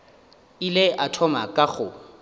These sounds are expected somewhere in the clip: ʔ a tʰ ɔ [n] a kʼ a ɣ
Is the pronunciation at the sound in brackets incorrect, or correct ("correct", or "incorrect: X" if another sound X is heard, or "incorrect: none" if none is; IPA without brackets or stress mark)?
incorrect: m